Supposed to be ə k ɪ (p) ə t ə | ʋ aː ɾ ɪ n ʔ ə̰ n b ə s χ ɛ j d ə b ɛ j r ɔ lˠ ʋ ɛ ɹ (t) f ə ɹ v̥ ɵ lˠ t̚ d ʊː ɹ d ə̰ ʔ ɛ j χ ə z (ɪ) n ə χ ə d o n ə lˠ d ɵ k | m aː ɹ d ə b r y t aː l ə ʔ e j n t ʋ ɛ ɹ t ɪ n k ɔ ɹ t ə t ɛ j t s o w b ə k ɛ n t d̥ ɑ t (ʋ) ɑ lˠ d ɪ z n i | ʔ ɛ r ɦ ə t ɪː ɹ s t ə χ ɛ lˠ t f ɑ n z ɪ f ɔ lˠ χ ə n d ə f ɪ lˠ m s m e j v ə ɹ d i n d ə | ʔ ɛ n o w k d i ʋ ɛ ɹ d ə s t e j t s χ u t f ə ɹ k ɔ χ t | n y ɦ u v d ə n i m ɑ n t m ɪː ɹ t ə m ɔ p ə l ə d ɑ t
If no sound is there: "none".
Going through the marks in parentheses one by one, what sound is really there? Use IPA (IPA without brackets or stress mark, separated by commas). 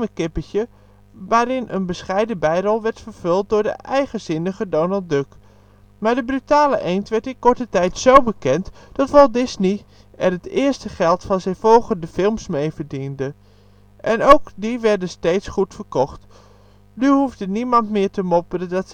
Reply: p, t, ɪ, ʋ